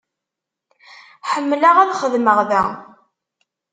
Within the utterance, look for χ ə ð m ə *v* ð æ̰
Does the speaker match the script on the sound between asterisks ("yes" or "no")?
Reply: no